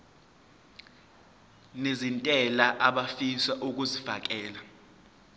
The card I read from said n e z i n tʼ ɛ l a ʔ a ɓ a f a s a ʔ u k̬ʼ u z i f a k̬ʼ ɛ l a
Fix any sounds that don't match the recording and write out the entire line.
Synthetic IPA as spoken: n e z i n tʼ ɛ l a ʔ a ɓ a f i s a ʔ u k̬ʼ u z i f a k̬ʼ ɛː l a